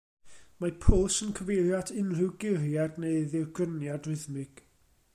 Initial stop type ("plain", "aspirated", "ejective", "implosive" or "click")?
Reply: aspirated